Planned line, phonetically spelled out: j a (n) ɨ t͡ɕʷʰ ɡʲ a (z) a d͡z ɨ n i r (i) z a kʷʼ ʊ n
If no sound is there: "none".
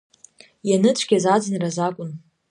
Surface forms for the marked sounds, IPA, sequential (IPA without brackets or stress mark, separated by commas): n, z, a